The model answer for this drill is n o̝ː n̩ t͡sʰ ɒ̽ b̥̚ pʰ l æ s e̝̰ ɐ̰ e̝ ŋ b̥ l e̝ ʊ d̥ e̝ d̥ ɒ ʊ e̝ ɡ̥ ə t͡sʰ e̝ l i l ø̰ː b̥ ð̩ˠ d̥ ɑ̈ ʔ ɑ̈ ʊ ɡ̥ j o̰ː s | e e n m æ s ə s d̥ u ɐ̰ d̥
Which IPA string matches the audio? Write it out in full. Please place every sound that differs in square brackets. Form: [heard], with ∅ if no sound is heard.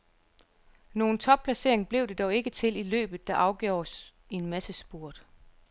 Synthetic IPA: n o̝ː n̩ t͡sʰ ɒ̽ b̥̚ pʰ l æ s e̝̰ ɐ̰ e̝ ŋ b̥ l e̝ ʊ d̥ e̝ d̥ ɒ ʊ e̝ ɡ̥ ə t͡sʰ e̝ l i l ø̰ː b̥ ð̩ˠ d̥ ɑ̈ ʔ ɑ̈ ʊ ɡ̥ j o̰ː s | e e n m æ s ə s [b̥] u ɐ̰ d̥